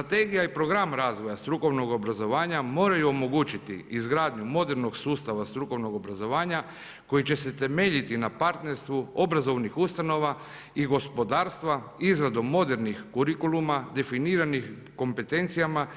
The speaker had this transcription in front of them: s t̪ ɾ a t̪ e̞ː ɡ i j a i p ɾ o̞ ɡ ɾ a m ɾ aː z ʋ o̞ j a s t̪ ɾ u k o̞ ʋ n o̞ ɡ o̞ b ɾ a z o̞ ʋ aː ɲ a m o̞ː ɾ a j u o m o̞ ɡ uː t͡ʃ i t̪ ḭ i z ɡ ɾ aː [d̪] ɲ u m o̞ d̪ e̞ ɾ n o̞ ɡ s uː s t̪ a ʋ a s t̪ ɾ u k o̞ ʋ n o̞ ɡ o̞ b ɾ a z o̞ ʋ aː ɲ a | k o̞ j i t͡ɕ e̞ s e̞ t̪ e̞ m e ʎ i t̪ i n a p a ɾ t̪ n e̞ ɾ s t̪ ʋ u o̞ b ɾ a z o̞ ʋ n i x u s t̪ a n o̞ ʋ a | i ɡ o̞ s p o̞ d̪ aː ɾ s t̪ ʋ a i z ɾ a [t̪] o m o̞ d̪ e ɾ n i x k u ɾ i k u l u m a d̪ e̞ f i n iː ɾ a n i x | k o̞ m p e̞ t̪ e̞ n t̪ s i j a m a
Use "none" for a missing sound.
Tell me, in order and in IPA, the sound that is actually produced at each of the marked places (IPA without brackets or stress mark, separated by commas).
d̪, d̪